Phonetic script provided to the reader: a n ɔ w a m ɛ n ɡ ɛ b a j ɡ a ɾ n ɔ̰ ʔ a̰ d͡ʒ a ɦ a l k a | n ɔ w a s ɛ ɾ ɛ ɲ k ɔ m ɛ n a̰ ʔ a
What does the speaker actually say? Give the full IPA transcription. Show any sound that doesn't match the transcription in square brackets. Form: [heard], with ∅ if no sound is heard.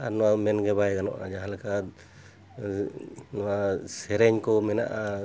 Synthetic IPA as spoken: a n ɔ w a m ɛ n ɡ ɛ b a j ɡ a [∅] n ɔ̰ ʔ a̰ d͡ʒ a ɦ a l k a | n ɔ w a s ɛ ɾ ɛ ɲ k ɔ m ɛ n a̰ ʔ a

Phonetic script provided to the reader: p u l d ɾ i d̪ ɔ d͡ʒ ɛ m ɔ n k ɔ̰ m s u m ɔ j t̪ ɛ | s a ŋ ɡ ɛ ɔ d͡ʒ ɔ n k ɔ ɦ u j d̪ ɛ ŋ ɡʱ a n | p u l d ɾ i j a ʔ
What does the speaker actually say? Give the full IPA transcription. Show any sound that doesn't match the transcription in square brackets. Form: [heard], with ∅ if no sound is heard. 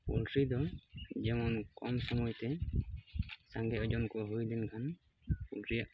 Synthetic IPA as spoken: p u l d ɾ i d̪ ɔ d͡ʒ ɛ m ɔ n k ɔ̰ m s [ɔ] m ɔ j t̪ ɛ | s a ŋ ɡ ɛ ɔ d͡ʒ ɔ n k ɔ ɦ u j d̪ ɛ [n] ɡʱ a n | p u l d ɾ i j a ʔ

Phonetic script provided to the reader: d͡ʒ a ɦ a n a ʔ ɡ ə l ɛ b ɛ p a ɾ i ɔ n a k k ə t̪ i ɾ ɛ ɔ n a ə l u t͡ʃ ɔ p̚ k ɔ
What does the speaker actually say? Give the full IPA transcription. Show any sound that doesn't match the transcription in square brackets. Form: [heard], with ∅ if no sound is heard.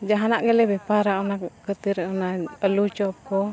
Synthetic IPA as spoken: d͡ʒ a ɦ a n a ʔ ɡ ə l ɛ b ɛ p a ɾ [a] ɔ n a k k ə t̪ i ɾ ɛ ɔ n a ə l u t͡ʃ ɔ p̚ k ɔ

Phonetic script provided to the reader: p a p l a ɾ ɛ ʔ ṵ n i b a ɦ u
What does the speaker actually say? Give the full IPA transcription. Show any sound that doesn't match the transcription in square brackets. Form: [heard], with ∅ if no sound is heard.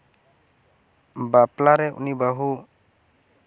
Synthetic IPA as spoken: [b] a p l a ɾ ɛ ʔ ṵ n i b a ɦ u

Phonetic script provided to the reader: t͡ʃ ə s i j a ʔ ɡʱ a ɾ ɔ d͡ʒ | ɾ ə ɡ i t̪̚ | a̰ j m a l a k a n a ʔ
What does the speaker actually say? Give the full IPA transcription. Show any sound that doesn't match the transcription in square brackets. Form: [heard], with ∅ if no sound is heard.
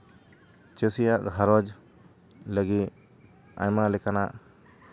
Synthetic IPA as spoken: t͡ʃ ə s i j a ʔ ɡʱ a ɾ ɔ d͡ʒ | [l] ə ɡ i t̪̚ | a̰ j m a l [ɛ] k a n a ʔ

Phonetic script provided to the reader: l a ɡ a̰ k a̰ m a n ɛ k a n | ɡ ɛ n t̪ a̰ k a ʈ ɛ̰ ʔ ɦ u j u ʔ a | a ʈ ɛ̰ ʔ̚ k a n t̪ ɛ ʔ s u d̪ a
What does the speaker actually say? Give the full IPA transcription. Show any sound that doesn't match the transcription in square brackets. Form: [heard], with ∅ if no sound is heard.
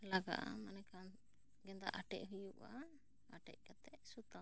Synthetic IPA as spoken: l a ɡ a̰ [ʔ] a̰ m a n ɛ k a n | ɡ ɛ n [d̪] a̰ [ʔ] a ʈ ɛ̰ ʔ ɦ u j u ʔ a | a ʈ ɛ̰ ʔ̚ k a [∅] t̪ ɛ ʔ s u [t̪] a

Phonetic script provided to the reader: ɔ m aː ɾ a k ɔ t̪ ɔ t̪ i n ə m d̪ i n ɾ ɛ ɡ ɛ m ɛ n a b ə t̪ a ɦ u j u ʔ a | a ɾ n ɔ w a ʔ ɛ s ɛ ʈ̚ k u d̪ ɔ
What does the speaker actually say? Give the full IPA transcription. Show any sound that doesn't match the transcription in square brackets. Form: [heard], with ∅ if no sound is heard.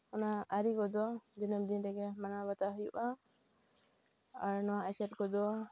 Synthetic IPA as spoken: ɔ [n] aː ɾ [i] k ɔ [d̪] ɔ [d̪] i n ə m d̪ i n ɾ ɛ ɡ ɛ m [a] n a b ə t̪ a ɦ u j u ʔ a | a ɾ n ɔ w a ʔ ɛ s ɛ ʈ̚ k [ɔ] d̪ ɔ

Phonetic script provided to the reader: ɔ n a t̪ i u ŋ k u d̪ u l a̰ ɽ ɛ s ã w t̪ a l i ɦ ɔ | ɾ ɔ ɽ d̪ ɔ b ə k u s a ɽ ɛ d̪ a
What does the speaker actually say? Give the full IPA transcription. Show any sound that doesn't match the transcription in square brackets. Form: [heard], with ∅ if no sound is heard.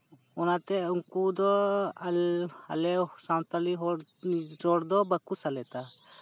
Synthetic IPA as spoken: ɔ n a t̪ [ɛ] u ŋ k u d̪ [ɔ] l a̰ [l] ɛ s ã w t̪ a l i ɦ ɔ | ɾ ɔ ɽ d̪ ɔ b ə k u s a [l] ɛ [t̪] a

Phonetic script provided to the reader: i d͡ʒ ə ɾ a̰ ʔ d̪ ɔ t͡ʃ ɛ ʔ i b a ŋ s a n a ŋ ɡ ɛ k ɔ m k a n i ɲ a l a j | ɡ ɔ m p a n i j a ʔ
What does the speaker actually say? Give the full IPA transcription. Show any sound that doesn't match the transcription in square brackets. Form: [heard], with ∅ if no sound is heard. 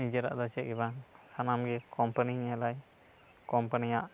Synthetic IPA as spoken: i d͡ʒ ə ɾ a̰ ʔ d̪ ɔ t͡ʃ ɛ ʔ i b a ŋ s a n a [m] ɡ ɛ k ɔ m [p] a n i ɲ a l a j | [k] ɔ m p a n i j a ʔ

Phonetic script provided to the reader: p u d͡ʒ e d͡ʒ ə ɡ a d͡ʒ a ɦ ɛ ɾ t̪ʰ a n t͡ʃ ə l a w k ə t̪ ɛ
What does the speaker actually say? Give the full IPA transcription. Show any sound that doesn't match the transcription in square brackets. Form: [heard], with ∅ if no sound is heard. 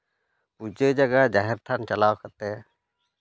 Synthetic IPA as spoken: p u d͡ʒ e d͡ʒ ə ɡ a d͡ʒ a ɦ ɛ ɾ t̪ʰ a n t͡ʃ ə l a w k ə t̪ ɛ

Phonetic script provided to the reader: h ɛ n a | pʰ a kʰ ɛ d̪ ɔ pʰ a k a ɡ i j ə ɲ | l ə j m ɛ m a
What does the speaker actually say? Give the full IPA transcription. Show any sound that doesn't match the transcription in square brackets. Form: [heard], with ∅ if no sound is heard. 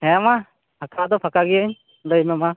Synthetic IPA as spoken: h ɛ [m] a | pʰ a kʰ [a] d̪ ɔ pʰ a k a ɡ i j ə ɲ | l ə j m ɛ m a

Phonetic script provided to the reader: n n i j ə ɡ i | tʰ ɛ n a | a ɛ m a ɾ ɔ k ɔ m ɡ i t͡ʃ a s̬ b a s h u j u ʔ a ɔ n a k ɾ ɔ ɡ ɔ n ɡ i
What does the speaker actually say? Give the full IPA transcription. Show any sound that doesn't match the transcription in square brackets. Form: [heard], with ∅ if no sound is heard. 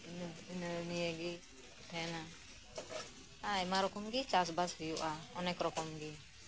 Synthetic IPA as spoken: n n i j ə ɡ i | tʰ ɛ n a | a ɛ m a ɾ ɔ k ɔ m ɡ i t͡ʃ a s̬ b a s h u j u ʔ a ɔ n [ɛ] k ɾ ɔ [k] ɔ [m] ɡ i

